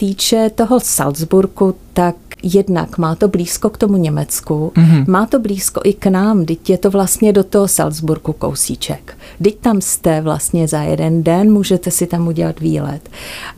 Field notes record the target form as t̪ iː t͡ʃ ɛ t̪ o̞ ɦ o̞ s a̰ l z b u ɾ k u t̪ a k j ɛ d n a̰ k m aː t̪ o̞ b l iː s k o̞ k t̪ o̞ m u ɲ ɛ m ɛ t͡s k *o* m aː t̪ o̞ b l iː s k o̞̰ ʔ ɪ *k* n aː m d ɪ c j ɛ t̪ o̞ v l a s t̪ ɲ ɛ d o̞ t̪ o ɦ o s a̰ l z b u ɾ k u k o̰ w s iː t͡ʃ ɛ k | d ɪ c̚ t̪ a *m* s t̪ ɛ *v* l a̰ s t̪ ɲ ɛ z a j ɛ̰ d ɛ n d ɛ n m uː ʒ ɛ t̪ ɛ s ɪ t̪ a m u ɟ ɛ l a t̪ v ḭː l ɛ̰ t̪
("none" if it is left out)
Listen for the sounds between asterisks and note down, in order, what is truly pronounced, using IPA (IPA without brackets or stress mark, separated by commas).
u, k, m, v